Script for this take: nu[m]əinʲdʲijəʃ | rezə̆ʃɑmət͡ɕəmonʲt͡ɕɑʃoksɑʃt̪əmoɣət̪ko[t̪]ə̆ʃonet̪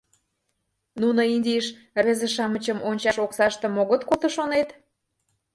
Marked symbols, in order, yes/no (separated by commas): no, yes